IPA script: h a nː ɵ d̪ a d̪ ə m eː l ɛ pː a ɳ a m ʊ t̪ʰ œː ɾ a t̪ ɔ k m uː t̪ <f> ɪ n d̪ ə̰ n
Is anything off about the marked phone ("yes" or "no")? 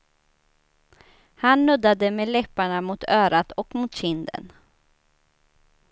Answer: yes